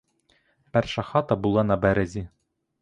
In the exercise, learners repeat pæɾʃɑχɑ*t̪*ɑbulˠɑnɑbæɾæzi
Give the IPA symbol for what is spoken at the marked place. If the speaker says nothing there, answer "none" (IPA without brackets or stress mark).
t̪